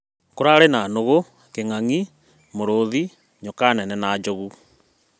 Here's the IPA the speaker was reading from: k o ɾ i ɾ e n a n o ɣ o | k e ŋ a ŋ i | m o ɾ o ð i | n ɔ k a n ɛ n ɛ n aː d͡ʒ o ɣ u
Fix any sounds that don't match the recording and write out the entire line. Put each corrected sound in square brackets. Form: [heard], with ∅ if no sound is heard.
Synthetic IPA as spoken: k o ɾ [a] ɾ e n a n o ɣ o | k e ŋ a ŋ i | m o ɾ o ð i | [ɲ] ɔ k a n ɛ n ɛ n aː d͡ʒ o ɣ u